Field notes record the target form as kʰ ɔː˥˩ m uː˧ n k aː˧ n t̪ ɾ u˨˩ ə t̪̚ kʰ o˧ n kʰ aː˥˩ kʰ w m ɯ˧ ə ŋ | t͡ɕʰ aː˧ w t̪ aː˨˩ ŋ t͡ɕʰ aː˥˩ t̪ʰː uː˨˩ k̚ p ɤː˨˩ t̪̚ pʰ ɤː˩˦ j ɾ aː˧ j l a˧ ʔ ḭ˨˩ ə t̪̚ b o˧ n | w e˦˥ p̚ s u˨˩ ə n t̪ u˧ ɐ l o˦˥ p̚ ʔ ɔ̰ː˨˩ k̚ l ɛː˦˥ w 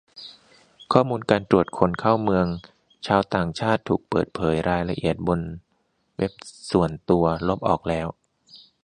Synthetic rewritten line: kʰ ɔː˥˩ m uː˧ n k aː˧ n t̪ ɾ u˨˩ ə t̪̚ kʰ o˧ n kʰ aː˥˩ w m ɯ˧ ə ŋ | t͡ɕʰ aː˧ w t̪ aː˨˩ ŋ t͡ɕʰ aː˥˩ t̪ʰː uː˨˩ k̚ p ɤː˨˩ t̪̚ pʰ ɤː˩˦ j ɾ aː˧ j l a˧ ʔ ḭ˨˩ ə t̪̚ b o˧ n | w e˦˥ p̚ s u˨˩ ə n t̪ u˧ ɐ l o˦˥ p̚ ʔ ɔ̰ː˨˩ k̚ l ɛː˦˥ w

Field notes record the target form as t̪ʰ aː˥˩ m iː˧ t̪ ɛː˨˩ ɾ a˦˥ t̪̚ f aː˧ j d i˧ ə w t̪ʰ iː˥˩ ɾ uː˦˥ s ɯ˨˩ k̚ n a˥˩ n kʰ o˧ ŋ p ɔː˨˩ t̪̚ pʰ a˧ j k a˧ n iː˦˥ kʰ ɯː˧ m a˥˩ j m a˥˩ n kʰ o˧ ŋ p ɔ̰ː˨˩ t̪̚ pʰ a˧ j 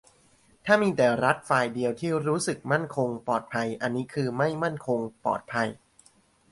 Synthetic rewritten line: t̪ʰ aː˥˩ m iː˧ t̪ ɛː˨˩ ɾ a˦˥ t̪̚ f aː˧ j d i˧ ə w t̪ʰ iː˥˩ ɾ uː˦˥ s ɯ˨˩ k̚ m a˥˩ n kʰ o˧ ŋ p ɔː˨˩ t̪̚ pʰ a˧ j ʔ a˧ nː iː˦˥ kʰ ɯː˧ m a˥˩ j m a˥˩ n kʰ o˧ ŋ p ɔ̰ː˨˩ t̪̚ pʰ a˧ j

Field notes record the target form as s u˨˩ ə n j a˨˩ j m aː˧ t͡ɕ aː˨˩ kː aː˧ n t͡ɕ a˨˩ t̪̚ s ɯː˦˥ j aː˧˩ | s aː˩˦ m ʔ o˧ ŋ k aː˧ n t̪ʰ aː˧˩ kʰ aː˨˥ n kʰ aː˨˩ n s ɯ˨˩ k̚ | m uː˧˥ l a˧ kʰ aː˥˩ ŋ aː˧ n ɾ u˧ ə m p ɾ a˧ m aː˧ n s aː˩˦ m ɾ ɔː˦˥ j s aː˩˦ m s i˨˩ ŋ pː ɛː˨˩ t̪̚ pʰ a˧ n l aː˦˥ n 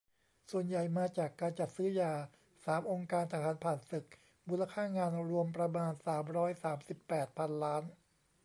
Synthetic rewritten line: s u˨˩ ə n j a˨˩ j m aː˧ t͡ɕ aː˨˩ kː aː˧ n t͡ɕ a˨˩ t̪̚ s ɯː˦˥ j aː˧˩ | s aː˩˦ m ʔ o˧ ŋ k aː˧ n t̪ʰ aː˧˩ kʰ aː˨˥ n pʰ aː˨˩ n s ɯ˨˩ k̚ | m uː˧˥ l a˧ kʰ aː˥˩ ŋ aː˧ n ɾ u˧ ə m p ɾ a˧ m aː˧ n s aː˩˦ m ɾ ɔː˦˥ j s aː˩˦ m s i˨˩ pː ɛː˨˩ t̪̚ pʰ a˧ n l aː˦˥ n

